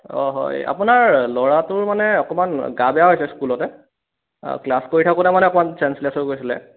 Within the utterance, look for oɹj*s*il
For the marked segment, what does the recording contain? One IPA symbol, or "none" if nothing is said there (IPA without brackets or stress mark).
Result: s